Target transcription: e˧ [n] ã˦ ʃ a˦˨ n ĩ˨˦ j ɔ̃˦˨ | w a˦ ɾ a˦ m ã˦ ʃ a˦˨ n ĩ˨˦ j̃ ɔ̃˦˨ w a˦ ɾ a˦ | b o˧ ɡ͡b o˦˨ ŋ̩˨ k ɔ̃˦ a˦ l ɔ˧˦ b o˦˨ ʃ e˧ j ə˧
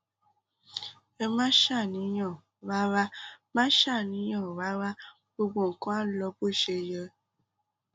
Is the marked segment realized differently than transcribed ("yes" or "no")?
yes